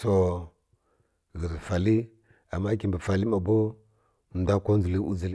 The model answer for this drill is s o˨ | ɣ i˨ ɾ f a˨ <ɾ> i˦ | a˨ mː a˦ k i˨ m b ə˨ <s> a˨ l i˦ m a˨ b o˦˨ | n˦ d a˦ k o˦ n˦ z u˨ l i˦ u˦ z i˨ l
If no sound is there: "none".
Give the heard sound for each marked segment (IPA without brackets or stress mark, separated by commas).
l, f